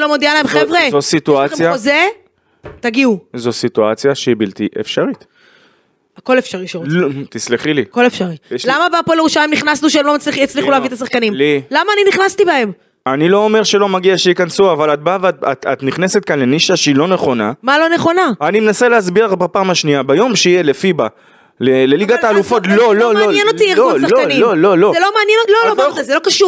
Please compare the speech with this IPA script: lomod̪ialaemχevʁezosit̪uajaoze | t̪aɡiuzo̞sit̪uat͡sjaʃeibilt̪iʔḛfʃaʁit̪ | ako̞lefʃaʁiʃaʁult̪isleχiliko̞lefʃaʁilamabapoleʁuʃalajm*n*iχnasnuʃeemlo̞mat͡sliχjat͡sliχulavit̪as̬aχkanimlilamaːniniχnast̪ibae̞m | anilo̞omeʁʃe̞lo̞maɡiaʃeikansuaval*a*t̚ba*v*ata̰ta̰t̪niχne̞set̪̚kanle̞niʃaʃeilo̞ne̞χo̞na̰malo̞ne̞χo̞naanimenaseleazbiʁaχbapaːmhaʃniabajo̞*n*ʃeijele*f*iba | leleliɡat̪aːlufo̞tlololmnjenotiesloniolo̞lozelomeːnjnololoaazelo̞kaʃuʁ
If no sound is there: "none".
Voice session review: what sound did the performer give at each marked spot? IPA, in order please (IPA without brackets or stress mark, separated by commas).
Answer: n, a, v, m, f